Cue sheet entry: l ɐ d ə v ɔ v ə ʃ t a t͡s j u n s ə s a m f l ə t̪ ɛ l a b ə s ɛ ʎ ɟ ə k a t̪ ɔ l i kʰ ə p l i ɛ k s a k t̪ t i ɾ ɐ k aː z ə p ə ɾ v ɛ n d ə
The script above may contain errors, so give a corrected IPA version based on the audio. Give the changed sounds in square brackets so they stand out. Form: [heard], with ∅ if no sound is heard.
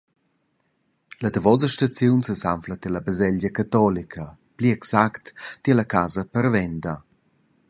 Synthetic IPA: l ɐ d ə v ɔ [z] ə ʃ t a t͡s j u n s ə s a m f l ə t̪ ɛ l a b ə [z] ɛ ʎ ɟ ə k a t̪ ɔ l i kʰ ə p l i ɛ k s a k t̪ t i [l] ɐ k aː z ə p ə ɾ v ɛ n d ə

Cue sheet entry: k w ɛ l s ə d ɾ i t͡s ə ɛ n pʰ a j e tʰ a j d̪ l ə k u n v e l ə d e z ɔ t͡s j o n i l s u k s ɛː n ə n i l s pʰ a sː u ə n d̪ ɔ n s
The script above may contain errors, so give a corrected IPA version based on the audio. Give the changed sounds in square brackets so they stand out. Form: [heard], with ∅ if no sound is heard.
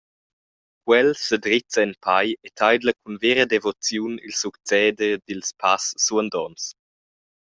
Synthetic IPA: k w ɛ l s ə d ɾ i t͡s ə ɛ n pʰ a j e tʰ a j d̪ l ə k u n v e [ɾ] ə d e [v] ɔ t͡s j [u] n i l s u k [t͡s] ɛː [d] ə [d] i l s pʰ a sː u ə n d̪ ɔ n s

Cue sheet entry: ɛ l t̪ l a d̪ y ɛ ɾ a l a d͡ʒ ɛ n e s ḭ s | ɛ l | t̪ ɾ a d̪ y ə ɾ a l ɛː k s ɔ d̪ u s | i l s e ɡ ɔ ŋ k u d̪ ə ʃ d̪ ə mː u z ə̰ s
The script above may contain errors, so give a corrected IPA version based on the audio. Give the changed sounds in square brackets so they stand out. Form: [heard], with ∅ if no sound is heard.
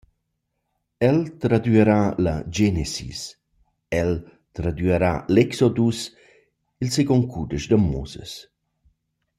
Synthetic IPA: ɛ l t̪ [ɾ] a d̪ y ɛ ɾ a l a d͡ʒ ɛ n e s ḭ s | ɛ l | t̪ ɾ a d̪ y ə ɾ a l [ɛ] k s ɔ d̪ u s | i l s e ɡ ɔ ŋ k u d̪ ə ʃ d̪ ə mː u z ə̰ s

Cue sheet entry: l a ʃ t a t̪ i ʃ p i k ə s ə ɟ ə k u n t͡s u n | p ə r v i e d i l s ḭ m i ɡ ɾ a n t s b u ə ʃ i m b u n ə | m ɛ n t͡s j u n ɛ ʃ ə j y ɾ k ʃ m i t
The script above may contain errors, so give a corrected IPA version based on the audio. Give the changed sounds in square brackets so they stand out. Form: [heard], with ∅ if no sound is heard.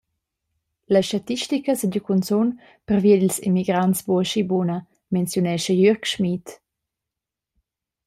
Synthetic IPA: l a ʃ t a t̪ i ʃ [t] i k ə s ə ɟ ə k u n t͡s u n | p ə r v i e d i l s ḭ m i ɡ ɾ a n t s b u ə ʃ i [∅] b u n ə | m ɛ n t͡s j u n ɛ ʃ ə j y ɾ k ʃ m i t

